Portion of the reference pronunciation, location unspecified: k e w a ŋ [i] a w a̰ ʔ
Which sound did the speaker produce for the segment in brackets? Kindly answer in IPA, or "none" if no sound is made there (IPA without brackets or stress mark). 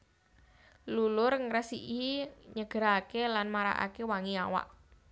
i